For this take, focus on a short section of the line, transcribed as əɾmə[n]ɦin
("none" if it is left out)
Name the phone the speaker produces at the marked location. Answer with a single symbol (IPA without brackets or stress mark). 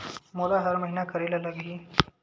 none